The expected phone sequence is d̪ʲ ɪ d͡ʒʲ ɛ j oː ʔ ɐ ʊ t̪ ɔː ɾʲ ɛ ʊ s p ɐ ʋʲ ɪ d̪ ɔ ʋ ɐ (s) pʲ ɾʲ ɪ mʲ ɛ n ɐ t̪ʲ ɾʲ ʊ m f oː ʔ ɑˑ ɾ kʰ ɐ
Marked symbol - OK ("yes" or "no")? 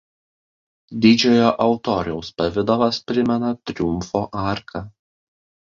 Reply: yes